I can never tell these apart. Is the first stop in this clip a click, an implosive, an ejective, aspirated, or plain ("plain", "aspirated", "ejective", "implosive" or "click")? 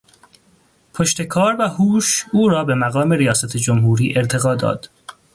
aspirated